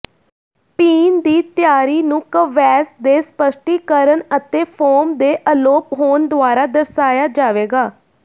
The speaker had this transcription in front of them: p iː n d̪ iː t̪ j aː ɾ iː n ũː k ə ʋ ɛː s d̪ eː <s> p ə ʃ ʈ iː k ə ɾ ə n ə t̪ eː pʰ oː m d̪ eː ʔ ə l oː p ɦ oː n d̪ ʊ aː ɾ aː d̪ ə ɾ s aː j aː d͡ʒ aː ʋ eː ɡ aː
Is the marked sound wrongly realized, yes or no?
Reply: no